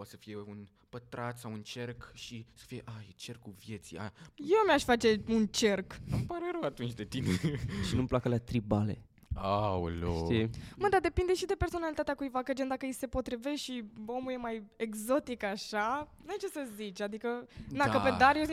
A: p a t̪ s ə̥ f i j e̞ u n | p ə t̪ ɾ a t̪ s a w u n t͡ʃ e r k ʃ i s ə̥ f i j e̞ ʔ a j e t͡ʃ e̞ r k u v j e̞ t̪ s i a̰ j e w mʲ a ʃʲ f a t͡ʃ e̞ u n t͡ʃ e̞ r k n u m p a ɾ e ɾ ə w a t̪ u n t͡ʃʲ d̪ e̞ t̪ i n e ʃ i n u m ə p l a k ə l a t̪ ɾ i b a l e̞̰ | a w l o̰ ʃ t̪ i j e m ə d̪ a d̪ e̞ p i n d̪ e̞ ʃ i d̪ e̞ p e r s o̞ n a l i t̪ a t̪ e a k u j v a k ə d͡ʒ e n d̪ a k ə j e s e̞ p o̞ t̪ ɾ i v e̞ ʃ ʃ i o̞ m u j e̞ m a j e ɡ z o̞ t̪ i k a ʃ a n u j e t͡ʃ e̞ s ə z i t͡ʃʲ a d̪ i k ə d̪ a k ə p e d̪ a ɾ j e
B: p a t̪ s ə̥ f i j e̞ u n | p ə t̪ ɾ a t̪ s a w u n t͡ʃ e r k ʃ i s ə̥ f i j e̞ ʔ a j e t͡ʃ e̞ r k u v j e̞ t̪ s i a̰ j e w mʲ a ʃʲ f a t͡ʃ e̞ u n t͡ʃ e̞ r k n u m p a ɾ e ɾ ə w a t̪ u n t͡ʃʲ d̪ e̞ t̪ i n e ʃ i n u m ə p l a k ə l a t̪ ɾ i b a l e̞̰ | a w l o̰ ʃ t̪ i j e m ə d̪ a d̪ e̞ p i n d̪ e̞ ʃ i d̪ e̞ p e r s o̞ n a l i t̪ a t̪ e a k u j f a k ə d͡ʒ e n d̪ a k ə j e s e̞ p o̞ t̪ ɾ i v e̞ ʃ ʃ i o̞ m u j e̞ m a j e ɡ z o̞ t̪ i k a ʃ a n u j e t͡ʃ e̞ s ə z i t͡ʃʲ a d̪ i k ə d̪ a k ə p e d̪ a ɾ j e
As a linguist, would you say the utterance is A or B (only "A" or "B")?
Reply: A